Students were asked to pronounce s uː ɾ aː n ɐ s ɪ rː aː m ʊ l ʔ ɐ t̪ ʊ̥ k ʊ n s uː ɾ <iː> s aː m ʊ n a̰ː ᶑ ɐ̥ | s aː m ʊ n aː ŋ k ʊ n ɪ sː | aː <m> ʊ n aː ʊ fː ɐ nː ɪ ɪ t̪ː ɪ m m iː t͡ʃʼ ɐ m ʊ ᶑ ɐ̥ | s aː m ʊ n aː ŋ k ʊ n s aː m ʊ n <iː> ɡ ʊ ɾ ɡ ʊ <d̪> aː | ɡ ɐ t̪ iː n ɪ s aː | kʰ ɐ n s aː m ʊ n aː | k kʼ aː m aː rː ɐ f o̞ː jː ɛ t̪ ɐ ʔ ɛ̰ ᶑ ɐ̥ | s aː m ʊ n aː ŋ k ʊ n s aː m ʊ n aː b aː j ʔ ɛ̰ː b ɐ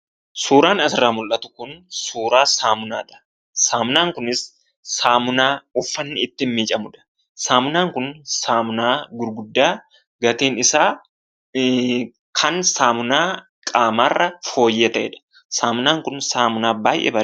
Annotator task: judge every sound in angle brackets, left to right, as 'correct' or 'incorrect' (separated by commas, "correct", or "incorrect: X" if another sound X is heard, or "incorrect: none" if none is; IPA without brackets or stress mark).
incorrect: aː, correct, incorrect: aː, incorrect: d̪ː